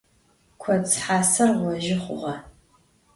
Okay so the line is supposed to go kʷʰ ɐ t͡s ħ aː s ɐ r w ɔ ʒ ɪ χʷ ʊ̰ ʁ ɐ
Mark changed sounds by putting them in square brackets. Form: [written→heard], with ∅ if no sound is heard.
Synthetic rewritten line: kʷʰ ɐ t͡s ħ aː s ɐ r w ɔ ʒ ɪ χʷ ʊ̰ ʁ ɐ